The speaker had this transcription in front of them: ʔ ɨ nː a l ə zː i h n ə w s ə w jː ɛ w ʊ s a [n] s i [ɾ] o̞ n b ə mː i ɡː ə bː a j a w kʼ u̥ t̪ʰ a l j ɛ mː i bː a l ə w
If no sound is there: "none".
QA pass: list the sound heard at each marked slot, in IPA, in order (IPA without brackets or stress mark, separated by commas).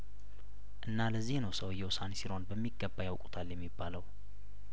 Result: n, ɾ